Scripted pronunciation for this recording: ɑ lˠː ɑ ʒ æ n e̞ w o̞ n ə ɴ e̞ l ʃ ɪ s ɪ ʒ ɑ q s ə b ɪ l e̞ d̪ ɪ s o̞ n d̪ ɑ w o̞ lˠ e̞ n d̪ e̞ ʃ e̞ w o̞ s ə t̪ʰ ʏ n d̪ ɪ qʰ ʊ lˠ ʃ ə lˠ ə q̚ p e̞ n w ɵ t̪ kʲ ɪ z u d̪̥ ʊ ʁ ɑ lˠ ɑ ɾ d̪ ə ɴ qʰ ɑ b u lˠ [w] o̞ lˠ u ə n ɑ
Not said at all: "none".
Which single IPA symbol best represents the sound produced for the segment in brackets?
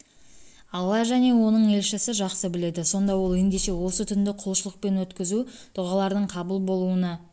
b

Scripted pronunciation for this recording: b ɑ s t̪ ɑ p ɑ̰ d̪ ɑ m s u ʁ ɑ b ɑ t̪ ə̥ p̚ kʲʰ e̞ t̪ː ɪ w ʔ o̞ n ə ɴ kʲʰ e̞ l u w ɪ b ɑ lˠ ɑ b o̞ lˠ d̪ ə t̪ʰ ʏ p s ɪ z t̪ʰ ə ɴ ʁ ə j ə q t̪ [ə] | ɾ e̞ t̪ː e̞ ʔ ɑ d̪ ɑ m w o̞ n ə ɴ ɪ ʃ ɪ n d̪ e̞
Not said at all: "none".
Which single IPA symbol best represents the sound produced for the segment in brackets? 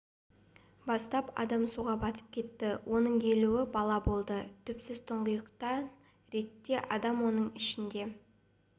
ɑ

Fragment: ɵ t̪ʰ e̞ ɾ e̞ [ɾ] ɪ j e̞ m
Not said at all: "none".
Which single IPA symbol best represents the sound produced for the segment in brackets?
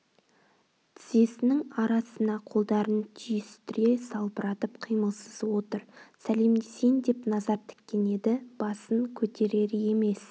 ɾ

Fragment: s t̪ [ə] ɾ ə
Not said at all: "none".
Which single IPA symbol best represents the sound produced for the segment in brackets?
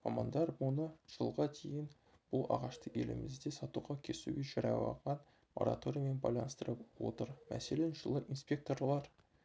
ə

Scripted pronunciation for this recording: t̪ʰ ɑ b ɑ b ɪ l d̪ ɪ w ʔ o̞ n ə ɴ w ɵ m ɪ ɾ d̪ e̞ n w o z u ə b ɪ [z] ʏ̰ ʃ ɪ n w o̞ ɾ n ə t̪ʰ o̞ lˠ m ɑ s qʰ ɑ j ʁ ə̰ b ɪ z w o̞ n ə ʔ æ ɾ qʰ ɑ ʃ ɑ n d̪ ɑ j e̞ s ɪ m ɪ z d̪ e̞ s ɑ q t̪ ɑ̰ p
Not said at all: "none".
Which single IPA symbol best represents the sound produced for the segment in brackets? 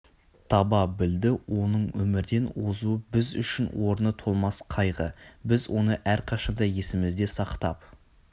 z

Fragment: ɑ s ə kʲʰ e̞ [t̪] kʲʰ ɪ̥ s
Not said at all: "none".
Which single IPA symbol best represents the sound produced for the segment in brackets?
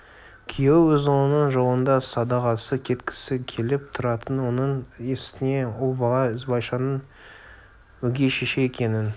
t̪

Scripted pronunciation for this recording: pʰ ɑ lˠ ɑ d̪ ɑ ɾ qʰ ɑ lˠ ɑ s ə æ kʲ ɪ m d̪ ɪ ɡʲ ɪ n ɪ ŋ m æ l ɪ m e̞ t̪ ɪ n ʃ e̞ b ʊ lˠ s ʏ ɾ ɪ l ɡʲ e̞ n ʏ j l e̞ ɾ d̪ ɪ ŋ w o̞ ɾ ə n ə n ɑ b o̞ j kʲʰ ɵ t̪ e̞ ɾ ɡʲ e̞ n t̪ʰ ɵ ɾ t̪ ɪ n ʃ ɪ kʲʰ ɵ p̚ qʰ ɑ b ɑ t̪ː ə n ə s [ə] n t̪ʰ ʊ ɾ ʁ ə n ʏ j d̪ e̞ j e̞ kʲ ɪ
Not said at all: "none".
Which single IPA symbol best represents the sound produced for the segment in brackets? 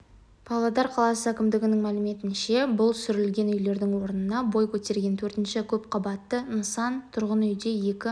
ɑ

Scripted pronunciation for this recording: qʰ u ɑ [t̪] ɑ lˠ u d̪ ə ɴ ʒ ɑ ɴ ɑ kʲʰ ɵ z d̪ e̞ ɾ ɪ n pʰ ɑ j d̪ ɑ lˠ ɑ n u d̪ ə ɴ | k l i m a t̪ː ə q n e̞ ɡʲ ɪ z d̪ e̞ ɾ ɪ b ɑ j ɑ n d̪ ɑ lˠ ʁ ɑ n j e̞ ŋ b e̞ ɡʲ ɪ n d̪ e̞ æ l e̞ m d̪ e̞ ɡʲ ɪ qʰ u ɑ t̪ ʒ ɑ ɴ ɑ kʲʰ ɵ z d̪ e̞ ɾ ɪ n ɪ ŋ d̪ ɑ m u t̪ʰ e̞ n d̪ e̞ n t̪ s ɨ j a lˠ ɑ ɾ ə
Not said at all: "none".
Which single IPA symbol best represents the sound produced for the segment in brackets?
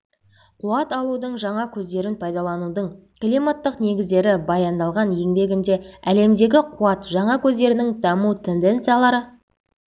t̪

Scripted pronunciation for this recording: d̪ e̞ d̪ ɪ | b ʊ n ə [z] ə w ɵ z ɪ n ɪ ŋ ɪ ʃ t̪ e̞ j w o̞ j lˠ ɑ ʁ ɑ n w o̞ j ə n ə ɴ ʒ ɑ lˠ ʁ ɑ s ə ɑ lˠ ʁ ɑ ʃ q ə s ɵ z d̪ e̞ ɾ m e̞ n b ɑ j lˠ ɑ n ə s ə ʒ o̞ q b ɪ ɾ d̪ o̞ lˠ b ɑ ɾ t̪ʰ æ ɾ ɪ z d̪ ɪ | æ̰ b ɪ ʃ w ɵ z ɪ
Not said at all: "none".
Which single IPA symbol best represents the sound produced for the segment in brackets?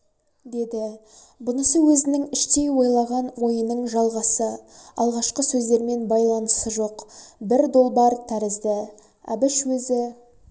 s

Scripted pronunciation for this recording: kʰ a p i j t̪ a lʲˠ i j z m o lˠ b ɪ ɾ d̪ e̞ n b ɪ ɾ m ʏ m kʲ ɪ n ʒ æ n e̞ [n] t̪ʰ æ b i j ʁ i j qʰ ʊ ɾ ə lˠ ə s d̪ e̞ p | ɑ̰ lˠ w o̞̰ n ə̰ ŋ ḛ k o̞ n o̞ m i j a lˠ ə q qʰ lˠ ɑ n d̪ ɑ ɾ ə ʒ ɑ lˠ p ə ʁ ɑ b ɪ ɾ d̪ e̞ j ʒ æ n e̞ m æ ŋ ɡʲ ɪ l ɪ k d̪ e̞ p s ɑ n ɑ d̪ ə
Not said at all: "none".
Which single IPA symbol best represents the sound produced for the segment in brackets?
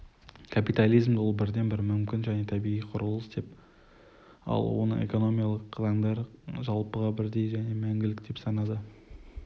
none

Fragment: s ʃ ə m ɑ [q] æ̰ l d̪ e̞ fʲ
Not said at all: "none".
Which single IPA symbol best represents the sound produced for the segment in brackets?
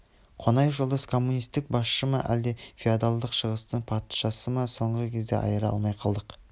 ʔ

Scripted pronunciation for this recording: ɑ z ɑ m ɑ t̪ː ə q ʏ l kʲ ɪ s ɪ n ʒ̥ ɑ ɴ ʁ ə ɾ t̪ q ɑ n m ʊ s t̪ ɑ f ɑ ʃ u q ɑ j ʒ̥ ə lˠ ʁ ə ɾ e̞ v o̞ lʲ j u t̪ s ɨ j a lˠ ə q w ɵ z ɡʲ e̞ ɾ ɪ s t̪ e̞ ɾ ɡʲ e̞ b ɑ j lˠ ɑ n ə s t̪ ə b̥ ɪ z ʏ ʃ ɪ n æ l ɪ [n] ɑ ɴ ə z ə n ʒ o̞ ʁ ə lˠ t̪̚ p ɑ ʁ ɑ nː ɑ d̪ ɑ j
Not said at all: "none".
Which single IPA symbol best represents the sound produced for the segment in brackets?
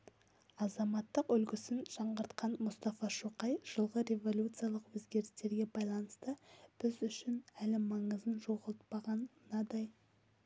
m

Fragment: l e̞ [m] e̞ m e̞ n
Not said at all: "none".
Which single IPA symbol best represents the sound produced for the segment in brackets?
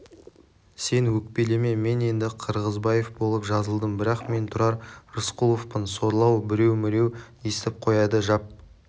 m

